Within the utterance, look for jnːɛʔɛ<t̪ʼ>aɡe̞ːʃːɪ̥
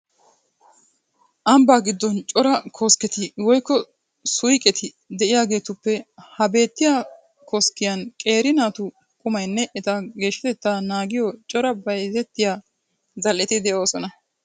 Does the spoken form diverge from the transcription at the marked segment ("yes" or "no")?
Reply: yes